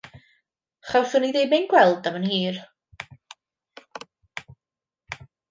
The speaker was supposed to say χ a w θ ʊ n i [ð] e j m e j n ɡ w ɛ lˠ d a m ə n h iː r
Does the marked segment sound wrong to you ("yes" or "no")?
no